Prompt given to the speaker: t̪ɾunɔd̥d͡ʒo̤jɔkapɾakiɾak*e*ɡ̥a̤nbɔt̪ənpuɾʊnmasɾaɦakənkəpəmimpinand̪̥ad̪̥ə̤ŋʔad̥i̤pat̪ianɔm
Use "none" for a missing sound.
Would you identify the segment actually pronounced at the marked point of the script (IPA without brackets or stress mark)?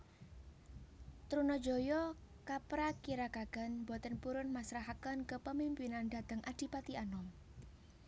a